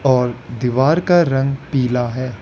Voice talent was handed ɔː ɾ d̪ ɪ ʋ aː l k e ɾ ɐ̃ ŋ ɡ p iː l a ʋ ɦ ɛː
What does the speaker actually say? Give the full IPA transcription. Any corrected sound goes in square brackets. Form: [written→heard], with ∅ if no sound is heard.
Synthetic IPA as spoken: ɔː ɾ d̪ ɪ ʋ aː [l→ɾ] k [e→a] ɾ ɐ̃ ŋ ɡ p iː l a [ʋ→∅] ɦ ɛː